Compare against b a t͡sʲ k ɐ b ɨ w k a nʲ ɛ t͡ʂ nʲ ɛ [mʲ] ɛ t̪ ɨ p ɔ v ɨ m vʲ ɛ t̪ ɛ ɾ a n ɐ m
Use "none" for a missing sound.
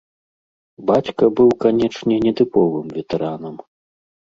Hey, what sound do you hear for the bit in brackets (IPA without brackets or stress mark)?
nʲ